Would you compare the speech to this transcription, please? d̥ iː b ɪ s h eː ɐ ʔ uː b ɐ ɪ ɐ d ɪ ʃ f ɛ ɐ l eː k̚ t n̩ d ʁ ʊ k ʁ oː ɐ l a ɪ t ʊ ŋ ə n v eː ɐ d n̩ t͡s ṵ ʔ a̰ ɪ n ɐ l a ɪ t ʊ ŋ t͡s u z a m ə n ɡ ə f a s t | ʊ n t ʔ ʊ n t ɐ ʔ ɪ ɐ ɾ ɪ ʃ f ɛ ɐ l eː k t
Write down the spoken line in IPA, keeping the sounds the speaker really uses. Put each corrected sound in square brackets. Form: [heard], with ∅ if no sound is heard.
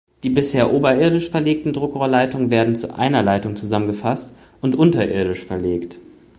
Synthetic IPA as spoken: d̥ iː b ɪ s h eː ɐ ʔ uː b ɐ ɪ ɐ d ɪ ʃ f ɛ ɐ l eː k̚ t n̩ d ʁ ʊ k ʁ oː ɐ l a ɪ t ʊ ŋ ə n v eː ɐ d n̩ t͡s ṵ ʔ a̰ ɪ n ɐ l a ɪ t ʊ ŋ t͡s u z a m ə n ɡ ə f a s t | ʊ n t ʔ ʊ n t ɐ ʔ ɪ ɐ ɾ ɪ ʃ f ɛ ɐ l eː k t